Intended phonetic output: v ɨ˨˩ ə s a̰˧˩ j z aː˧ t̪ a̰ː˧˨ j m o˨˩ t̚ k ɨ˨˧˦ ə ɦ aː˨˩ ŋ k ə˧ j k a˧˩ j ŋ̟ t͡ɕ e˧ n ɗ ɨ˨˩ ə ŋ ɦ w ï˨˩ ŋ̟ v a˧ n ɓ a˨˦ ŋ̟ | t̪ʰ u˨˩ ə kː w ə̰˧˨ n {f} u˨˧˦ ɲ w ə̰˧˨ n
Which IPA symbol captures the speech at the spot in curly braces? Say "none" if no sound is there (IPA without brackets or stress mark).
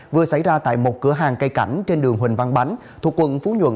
f